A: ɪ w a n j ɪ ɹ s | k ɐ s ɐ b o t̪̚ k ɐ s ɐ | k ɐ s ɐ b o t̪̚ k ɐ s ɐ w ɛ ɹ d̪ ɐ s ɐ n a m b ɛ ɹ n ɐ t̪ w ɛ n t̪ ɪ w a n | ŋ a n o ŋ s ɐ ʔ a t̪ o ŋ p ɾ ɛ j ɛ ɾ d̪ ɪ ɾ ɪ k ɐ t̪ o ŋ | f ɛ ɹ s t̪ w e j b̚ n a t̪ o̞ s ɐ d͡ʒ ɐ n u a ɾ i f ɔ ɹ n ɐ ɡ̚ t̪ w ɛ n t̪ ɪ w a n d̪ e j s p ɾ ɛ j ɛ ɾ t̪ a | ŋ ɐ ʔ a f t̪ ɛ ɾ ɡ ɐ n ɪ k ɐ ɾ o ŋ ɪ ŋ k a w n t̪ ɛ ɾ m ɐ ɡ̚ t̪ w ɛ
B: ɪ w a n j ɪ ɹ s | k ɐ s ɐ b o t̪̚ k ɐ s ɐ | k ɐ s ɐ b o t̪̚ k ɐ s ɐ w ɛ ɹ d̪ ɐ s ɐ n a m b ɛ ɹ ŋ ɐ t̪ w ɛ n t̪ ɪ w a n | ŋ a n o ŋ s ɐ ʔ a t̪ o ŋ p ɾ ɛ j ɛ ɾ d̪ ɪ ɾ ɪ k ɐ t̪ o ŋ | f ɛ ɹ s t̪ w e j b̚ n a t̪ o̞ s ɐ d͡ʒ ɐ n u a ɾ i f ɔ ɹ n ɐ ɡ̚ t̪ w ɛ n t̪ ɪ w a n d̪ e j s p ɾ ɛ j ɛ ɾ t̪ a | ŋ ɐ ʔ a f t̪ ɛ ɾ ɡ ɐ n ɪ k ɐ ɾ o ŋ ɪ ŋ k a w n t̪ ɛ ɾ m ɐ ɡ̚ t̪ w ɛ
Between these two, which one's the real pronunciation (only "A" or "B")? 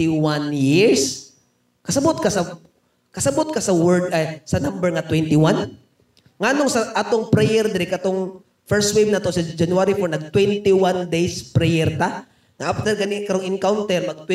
B